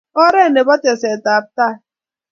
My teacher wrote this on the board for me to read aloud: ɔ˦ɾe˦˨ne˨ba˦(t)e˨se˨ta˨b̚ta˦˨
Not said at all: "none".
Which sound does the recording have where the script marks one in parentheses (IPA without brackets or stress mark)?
t